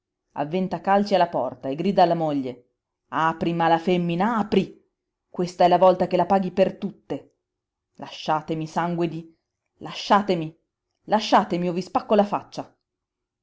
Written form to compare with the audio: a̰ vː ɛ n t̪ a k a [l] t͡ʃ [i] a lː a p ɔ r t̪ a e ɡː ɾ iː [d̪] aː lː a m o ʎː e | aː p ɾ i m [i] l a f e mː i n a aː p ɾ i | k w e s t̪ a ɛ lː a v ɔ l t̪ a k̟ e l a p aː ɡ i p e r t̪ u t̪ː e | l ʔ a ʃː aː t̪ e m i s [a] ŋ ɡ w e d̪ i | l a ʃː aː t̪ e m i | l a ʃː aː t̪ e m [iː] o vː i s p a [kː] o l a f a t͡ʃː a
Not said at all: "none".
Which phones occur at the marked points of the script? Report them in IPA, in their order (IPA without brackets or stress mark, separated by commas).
l, i, d̪, a, a, i, kː